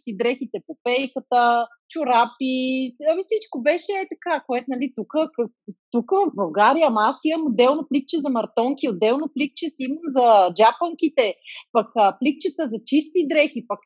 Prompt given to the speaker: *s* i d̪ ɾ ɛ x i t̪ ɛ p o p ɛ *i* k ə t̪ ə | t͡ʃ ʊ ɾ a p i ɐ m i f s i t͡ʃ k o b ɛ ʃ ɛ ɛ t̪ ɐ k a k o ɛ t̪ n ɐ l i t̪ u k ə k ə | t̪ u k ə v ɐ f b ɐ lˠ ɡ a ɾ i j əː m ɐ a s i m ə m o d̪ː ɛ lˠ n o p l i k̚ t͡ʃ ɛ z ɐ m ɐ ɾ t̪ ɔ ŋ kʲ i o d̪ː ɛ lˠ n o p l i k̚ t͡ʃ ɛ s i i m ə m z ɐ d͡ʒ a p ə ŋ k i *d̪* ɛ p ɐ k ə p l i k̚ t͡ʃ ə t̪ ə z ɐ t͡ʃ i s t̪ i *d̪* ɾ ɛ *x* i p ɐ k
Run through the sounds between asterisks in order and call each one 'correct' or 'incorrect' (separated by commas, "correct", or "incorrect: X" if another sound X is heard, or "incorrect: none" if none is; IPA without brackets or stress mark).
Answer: correct, incorrect: j, incorrect: t̪, correct, correct